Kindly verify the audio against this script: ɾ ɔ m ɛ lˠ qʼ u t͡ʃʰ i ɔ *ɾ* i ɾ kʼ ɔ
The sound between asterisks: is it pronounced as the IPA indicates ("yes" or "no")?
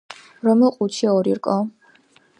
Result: yes